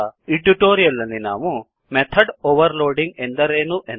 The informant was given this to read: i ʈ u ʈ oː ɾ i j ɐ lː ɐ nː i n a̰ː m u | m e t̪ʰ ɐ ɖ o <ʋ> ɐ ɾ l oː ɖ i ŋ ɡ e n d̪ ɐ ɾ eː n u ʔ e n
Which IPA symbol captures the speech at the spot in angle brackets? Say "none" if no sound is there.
ʋ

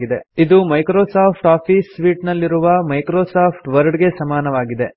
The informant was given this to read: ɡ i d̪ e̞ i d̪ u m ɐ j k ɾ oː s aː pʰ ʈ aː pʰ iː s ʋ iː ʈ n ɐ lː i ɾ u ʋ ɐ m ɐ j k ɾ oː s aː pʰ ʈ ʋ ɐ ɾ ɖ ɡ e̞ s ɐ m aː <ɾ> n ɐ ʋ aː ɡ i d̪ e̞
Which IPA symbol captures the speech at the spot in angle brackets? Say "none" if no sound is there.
none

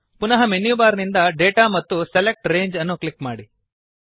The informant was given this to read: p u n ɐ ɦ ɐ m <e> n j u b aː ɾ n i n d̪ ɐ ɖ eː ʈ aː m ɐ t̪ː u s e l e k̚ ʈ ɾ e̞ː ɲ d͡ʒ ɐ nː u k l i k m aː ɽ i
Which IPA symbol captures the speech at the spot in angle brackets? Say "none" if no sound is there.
e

